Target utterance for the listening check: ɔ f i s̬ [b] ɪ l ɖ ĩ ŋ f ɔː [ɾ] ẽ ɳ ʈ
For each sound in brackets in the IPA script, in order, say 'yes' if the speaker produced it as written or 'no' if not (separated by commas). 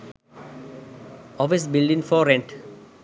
yes, yes